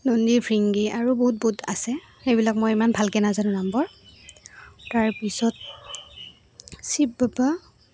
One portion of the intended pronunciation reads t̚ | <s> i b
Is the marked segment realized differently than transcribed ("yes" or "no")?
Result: no